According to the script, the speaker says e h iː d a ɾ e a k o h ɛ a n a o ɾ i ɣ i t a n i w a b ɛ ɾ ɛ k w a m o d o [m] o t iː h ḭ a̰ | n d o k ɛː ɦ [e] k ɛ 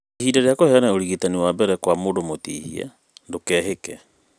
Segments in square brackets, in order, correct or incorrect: correct, correct

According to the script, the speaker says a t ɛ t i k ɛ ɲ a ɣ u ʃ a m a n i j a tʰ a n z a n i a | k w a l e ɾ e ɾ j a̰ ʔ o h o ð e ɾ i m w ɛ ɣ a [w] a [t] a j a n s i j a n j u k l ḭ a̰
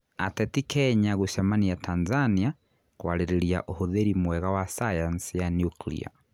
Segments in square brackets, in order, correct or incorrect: correct, incorrect

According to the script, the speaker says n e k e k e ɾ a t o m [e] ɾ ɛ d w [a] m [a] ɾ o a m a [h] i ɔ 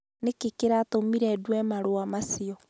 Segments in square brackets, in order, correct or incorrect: incorrect, incorrect, correct, incorrect

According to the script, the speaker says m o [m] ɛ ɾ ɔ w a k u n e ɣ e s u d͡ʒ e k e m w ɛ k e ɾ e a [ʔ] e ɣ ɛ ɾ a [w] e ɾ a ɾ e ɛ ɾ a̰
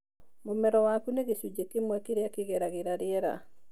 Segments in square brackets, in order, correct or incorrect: correct, incorrect, incorrect

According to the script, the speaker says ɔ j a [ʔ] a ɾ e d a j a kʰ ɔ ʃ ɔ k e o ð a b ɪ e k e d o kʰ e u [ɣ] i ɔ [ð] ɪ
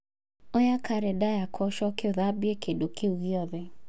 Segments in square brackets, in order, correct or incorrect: incorrect, correct, correct

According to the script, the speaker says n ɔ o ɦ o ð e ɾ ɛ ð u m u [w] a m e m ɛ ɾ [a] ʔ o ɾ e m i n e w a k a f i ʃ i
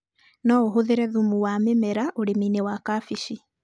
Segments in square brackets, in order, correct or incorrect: correct, correct

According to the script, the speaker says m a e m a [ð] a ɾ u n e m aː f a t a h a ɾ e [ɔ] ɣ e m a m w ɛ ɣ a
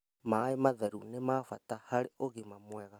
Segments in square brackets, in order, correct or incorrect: correct, incorrect

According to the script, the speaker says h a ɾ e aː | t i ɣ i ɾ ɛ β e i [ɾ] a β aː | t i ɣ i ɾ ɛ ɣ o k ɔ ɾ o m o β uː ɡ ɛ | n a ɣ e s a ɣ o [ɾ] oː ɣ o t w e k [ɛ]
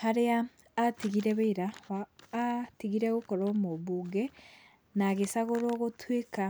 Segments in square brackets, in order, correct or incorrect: correct, correct, incorrect

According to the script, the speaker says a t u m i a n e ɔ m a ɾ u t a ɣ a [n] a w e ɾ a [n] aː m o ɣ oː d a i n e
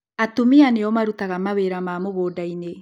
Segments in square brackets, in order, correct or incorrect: incorrect, incorrect

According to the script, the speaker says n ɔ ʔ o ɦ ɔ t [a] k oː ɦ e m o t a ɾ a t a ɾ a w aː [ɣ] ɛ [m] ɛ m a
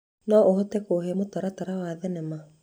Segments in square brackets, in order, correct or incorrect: incorrect, incorrect, incorrect

